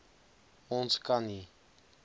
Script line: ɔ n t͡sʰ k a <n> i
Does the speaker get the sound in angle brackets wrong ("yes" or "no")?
no